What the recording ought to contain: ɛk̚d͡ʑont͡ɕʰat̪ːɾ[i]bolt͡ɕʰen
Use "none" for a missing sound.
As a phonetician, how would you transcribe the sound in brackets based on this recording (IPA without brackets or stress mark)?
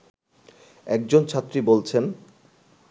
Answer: i